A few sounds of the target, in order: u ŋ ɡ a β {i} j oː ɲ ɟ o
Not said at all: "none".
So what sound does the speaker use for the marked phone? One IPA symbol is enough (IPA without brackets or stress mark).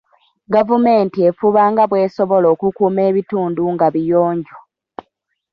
i